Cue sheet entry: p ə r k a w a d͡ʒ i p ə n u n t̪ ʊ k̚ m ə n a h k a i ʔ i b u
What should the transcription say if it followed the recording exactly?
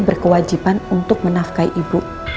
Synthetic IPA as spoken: b ə r k ə w a d͡ʒ i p a n u n t̪ ʊ k̚ m ə n a f k a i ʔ i b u